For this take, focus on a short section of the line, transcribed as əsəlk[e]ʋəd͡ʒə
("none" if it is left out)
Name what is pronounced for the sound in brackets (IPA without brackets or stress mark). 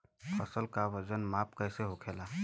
a